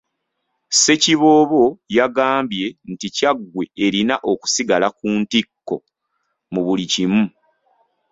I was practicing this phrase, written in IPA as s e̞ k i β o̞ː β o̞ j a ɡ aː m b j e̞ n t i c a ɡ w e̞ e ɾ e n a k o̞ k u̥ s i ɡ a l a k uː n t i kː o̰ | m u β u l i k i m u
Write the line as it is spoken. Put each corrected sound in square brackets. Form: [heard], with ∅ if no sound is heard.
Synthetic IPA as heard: s e̞ [c] i β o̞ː β o̞ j a ɡ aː m b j e̞ n t i c a ɡ w e̞ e ɾ [i] n a [ʔ] o̞ k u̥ s i ɡ a l a k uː n t i kː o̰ | m u β u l i [c] i m u